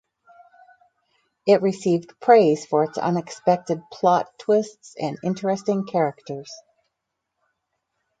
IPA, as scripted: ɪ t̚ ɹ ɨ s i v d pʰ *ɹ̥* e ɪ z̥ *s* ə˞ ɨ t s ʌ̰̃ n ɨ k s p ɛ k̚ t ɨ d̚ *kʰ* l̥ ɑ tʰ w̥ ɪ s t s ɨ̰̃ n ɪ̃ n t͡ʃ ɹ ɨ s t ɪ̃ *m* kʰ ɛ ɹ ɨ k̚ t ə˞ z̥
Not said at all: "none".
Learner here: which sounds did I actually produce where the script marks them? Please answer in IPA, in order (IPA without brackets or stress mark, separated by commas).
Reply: ɹ̥, f, pʰ, ŋ